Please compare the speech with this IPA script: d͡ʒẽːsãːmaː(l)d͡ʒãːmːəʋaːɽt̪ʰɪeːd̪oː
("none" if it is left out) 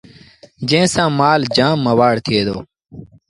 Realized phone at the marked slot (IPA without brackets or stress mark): l